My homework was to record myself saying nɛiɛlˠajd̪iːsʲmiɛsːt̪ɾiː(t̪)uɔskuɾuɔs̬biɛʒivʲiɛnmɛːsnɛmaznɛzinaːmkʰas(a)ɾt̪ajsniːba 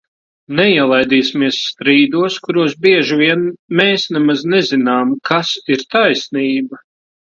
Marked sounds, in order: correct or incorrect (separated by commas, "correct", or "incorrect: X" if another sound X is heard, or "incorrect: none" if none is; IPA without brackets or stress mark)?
incorrect: d̪, incorrect: i